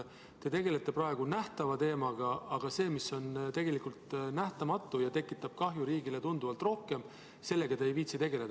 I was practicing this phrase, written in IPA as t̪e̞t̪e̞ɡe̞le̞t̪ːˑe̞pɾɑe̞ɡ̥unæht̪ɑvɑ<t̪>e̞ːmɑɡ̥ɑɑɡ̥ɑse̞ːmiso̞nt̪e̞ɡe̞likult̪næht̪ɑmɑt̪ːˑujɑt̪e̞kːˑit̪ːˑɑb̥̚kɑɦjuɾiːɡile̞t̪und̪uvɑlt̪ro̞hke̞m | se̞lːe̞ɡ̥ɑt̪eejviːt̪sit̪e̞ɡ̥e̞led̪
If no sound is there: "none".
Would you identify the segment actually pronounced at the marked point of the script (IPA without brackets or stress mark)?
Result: t̪